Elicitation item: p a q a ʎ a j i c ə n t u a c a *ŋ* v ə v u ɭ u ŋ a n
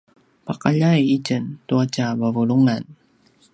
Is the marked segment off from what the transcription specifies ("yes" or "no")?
yes